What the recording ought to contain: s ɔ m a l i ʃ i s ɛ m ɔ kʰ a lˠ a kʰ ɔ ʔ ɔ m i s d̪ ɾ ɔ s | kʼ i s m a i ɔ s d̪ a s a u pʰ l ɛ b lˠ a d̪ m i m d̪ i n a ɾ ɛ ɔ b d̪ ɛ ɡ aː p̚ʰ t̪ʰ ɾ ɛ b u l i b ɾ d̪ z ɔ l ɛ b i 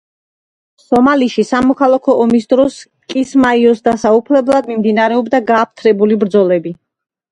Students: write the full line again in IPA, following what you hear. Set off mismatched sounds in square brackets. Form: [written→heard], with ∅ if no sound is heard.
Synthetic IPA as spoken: s ɔ m a l i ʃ i s [ɛ→a] m ɔ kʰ a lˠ a kʰ ɔ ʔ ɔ m i s d̪ ɾ ɔ s | kʼ i s m a i ɔ s d̪ a s a u pʰ l ɛ b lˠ a d̪ m i m d̪ i n a ɾ ɛ ɔ b d̪ [ɛ→a] ɡ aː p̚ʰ t̪ʰ ɾ ɛ b u l i b ɾ d̪ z ɔ l ɛ b i